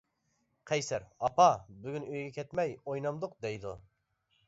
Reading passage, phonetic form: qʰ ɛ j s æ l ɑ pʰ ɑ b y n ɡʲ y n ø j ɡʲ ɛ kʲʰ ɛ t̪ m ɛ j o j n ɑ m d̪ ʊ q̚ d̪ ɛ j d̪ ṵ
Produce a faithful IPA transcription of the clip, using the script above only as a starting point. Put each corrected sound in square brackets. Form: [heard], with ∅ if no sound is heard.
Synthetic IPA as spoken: qʰ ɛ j s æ [ɾ] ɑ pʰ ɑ b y [∅] ɡʲ y n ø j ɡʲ ɛ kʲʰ ɛ t̪ m ɛ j o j n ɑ m d̪ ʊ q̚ d̪ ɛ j d̪ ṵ